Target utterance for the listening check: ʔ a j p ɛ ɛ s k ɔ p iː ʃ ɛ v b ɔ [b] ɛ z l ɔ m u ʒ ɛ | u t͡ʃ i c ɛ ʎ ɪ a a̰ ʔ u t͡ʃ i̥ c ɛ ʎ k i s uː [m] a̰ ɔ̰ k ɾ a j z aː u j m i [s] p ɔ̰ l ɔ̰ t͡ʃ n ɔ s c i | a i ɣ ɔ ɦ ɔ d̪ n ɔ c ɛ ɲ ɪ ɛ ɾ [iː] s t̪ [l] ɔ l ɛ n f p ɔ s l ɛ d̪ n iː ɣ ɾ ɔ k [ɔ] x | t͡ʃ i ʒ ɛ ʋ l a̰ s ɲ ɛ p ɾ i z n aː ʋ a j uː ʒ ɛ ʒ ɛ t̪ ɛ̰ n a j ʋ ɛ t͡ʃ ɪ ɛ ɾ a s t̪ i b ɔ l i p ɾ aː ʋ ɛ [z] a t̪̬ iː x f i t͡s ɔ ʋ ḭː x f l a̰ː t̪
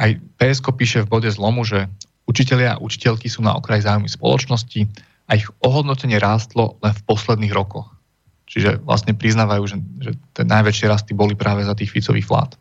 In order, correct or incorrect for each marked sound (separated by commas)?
incorrect, incorrect, correct, incorrect, correct, correct, correct